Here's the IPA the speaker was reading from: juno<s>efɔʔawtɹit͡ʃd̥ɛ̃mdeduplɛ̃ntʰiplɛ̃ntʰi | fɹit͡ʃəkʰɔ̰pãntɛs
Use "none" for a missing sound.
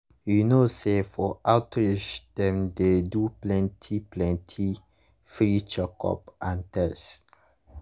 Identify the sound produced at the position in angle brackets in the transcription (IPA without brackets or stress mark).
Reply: s